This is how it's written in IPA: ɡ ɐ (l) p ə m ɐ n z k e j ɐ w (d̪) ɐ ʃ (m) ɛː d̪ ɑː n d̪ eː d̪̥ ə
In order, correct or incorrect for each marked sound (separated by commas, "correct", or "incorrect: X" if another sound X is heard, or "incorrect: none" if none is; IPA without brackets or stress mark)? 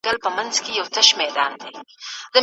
correct, incorrect: t̪, correct